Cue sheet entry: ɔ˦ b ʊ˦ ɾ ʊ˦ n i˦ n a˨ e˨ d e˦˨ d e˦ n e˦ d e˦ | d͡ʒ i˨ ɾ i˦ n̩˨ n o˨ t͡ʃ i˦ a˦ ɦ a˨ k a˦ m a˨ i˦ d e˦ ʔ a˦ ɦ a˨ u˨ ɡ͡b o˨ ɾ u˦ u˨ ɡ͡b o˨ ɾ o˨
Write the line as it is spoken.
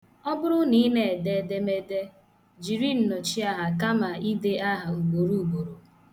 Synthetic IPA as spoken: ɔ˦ b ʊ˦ ɾ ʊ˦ n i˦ n e˨ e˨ d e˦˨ d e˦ m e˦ d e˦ | d͡ʒ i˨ ɾ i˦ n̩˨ n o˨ t͡ʃ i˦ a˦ ɦ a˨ k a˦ m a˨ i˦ d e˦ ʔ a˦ ɦ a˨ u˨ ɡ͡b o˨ ɾ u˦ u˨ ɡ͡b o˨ ɾ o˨